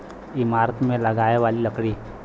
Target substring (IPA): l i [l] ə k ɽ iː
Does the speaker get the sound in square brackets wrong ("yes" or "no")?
no